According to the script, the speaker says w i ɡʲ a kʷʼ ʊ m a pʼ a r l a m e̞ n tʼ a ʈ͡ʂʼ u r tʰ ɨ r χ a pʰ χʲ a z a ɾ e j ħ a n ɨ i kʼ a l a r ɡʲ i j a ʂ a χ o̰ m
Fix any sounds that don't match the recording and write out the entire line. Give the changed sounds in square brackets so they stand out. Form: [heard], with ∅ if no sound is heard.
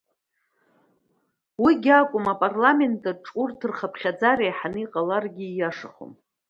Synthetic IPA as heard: w i ɡʲ a kʷʼ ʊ m a pʼ a r l a m e̞ n tʼ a ʈ͡ʂʼ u r tʰ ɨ r χ a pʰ χʲ a [d͡z] a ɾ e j ħ a n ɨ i [qʼ] a l a r ɡʲ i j a ʂ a χ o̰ m